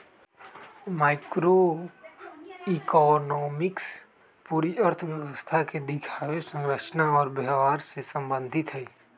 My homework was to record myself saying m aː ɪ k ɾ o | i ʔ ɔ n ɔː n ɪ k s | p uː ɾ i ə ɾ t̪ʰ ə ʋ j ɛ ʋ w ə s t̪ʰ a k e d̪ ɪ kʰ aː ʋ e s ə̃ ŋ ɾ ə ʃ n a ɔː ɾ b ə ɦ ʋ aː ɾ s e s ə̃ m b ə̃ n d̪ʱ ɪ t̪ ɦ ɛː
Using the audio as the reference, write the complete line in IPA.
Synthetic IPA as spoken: m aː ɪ k ɾ o | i k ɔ n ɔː m ɪ k s | p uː ɾ i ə ɾ t̪ʰ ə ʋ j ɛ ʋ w ə s t̪ʰ a k e d̪ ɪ kʰ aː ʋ e s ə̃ ŋ ɾ ə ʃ n a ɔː ɾ b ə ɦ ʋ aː ɾ s e s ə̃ m b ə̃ n d̪ʱ ɪ t̪ ɦ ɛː